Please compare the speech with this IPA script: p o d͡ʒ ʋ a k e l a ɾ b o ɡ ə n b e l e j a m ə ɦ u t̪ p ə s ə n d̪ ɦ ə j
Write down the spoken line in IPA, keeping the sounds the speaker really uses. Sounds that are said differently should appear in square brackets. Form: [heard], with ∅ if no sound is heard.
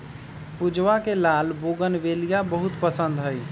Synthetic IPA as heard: p [u] d͡ʒ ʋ a k e l a [l] b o ɡ ə n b e l [i] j a [b] ə ɦ u t̪ p ə s ə n d̪ ɦ ə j